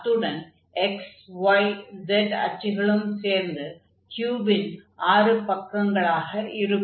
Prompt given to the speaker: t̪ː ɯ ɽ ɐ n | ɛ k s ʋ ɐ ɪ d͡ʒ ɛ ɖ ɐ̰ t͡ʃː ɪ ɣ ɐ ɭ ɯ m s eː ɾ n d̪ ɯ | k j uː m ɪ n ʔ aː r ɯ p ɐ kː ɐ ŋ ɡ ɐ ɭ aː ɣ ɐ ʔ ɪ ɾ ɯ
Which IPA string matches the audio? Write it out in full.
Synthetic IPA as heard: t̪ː ɯ ɽ ɐ n | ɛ k s ʋ ɐ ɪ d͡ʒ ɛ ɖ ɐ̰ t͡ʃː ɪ ɣ ɐ ɭ ɯ m s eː ɾ n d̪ ɯ | k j uː b ɪ n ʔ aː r ɯ p ɐ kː ɐ ŋ ɡ ɐ ɭ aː ɣ ɐ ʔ ɪ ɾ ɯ